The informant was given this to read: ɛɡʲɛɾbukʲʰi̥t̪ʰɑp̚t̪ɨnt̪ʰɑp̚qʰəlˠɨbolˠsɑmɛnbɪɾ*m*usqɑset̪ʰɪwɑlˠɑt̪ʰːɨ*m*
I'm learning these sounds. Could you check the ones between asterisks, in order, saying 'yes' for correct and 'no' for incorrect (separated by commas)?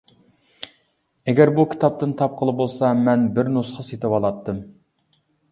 no, yes